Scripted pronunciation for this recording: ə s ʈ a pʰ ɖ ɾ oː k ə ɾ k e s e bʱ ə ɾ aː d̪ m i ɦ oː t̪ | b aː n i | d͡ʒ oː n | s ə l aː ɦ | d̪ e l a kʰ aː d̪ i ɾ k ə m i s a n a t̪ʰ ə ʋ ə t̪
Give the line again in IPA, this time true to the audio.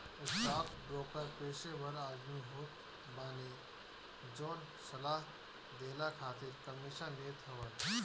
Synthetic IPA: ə s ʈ a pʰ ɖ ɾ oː k ə ɾ p e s e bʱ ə ɾ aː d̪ m i ɦ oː t̪ | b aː n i | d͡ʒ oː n | s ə l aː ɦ | d̪ e l a kʰ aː t̪ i ɾ k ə m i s a n e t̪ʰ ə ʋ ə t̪